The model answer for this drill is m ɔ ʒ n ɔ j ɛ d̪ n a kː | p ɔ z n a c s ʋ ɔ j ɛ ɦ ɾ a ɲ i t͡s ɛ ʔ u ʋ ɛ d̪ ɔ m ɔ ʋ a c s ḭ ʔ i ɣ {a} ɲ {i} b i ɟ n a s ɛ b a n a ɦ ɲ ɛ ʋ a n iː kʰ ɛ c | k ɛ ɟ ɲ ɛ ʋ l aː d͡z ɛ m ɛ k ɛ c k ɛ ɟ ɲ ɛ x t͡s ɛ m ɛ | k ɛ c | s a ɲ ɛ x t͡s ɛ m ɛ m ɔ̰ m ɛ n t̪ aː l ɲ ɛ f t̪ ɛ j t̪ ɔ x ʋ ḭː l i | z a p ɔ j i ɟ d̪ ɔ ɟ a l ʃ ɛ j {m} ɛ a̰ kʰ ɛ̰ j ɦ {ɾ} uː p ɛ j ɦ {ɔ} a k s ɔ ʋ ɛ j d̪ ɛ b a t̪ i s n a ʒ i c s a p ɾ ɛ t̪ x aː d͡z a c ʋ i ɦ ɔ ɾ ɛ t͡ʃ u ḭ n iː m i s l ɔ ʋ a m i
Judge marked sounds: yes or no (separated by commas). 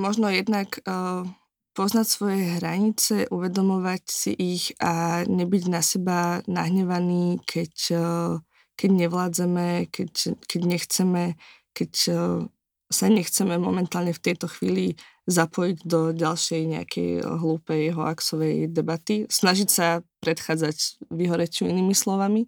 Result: yes, no, no, no, yes